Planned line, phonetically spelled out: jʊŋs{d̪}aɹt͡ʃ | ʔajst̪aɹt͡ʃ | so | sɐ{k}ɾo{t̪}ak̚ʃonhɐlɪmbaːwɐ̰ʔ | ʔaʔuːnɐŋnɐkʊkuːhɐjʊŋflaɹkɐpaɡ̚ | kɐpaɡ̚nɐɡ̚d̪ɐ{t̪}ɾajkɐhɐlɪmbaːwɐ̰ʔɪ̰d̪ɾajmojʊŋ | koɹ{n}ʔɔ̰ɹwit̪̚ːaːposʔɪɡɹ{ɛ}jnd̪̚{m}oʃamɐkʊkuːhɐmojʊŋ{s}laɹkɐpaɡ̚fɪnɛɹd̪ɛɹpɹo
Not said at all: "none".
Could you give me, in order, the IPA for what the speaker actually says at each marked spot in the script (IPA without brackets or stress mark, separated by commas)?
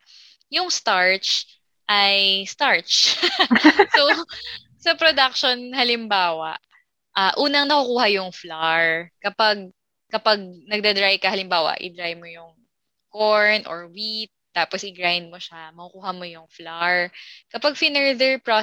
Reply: t̪, p, d̪, d̪, n, a, m, f